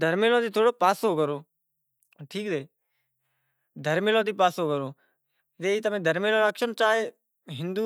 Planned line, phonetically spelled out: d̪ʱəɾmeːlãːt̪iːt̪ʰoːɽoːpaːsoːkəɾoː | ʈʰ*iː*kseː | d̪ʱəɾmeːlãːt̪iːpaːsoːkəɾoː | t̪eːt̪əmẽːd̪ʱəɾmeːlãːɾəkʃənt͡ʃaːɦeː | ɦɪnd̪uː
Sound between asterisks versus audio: correct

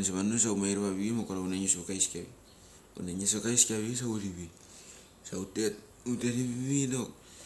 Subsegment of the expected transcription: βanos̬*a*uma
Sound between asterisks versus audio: correct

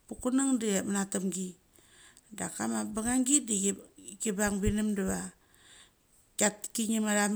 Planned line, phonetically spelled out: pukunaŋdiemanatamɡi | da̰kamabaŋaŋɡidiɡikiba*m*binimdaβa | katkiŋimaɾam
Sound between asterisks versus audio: incorrect: ŋ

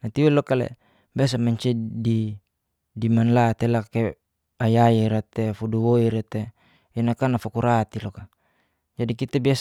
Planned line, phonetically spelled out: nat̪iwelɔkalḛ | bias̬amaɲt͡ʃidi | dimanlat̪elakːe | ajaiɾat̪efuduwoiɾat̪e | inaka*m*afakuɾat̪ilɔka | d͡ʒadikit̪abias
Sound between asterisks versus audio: incorrect: n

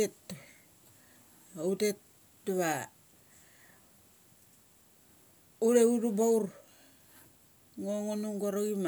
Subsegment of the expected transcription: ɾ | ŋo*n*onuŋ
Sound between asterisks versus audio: incorrect: ŋ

